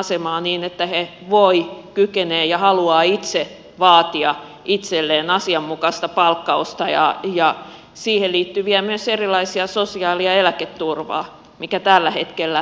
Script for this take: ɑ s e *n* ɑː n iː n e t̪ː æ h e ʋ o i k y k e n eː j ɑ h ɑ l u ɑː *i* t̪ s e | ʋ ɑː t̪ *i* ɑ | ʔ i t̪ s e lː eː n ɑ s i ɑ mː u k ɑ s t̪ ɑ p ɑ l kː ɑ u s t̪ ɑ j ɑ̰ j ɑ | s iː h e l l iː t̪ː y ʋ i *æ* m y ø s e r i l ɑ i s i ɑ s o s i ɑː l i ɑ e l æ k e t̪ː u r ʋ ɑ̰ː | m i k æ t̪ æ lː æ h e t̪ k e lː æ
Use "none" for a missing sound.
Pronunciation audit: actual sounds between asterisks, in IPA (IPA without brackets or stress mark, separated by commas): m, i, i, æ